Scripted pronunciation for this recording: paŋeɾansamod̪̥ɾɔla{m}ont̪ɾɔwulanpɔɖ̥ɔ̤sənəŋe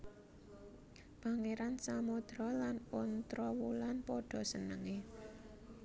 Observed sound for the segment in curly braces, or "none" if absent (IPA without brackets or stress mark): n